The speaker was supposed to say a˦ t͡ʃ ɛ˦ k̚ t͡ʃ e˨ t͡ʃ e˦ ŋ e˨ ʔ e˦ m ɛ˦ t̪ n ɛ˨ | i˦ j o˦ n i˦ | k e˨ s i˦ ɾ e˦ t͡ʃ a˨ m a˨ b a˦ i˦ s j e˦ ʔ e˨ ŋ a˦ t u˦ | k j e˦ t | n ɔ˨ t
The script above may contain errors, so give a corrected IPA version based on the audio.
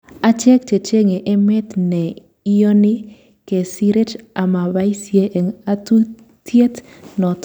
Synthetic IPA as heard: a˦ t͡ʃ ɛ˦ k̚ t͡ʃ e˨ t͡ʃ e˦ ŋ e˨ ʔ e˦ m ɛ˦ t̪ n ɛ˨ | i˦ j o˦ n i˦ | k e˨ s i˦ ɾ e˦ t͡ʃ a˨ m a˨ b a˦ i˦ s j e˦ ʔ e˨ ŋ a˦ t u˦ | t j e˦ t | n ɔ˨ t